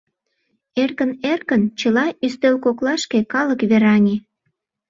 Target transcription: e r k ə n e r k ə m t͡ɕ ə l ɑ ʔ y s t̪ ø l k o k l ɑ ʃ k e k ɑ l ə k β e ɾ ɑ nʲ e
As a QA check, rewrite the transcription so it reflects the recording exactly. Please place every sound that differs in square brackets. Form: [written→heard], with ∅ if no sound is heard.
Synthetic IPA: e r k ə n e r k ə [m→n] t͡ɕ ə l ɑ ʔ y s t̪ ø l k o k l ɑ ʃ k e k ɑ l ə k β e ɾ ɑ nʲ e